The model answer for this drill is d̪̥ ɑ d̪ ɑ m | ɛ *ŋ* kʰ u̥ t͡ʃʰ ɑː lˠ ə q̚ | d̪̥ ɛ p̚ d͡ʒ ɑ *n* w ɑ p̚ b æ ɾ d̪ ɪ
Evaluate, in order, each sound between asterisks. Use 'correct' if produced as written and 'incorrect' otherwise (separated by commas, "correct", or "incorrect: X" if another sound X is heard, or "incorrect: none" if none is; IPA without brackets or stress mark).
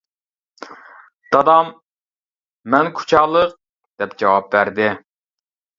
incorrect: n, incorrect: none